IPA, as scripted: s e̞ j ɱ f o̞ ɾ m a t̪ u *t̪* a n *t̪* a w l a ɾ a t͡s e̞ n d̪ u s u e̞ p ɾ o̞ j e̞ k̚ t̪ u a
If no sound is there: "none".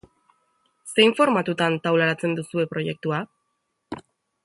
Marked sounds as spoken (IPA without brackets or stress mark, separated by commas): t̪, t̪